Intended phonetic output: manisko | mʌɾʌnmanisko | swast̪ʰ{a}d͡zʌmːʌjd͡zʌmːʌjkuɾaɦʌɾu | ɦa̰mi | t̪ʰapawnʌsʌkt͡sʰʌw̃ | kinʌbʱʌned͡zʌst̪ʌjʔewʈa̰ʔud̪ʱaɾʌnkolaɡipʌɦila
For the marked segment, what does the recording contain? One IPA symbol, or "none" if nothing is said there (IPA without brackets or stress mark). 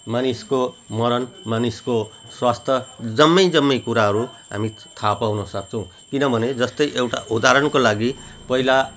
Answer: ʌ